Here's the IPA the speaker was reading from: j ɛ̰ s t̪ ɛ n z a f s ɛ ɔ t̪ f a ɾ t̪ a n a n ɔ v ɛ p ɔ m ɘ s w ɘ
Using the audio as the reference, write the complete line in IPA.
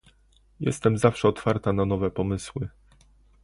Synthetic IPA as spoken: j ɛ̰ s t̪ ɛ m z a f ʂ ɛ ɔ t̪ f a ɾ t̪ a n a n ɔ v ɛ p ɔ m ɘ s w ɘ